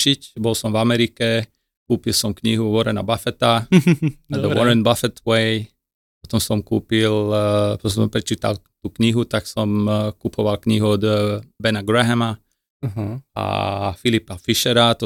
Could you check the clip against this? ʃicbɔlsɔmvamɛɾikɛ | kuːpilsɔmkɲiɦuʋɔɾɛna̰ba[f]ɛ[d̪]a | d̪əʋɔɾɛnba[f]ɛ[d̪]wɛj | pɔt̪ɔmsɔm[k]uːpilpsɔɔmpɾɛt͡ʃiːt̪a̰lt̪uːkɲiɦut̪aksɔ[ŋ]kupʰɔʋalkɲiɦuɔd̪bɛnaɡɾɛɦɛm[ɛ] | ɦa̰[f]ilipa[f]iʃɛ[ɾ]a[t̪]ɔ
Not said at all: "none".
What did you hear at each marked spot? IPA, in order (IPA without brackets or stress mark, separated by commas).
f, t̪, f, t̪, k, m, a, f, f, ɾ, t̪